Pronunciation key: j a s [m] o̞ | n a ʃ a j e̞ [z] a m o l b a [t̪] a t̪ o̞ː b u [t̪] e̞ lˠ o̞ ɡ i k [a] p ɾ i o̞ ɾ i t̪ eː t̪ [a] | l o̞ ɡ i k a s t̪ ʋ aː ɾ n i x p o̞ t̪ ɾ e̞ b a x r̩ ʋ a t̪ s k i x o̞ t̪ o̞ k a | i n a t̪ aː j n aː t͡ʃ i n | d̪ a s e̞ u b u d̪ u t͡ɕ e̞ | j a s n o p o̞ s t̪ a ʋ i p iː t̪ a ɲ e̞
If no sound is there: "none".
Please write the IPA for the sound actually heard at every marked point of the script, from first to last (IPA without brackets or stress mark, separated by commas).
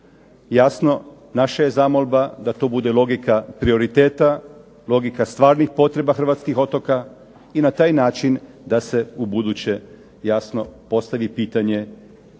n, z, d̪, d̪, a, a